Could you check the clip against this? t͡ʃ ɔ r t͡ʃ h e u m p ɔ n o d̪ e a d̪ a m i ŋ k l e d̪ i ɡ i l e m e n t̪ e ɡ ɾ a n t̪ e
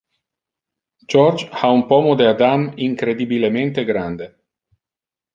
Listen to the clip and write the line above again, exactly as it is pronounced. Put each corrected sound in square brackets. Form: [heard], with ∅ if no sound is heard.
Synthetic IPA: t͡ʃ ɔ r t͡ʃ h [a] u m p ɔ [m] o d̪ e a d̪ a m i ŋ k [ɾ] e d̪ i [b] i l e m e n t̪ e ɡ ɾ a n [d̪] e